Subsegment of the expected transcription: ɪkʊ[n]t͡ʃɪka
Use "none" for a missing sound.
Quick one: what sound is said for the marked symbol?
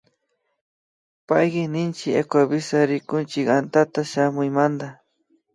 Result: n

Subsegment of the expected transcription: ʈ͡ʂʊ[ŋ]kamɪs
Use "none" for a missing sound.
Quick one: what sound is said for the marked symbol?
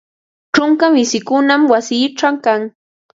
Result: ŋ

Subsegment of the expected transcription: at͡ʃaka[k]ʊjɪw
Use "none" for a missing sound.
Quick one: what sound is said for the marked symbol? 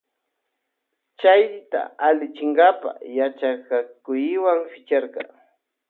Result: k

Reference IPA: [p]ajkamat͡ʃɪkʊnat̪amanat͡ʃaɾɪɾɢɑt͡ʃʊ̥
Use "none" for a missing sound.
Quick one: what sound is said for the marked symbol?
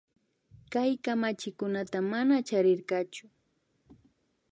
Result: k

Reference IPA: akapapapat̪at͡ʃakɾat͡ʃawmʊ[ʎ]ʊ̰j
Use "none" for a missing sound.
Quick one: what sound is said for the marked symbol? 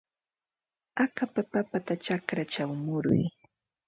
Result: ɾ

